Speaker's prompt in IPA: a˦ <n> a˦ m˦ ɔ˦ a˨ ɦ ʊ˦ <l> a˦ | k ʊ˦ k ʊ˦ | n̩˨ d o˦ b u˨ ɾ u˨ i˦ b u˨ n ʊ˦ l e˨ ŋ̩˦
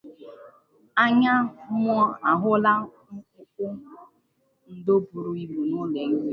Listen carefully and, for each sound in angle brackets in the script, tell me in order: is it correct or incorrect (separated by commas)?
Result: incorrect, correct